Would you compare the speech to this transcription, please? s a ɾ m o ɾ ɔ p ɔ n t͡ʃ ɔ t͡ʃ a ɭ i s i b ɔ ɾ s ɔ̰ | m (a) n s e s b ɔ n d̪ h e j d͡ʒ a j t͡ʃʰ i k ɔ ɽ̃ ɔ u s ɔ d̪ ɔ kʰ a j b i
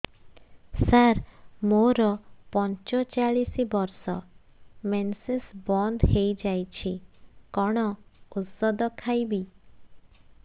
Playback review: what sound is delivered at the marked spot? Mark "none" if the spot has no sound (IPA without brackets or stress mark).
e